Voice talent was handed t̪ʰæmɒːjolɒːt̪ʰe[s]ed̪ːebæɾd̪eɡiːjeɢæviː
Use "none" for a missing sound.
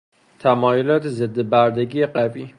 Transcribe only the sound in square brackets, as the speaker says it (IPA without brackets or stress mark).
z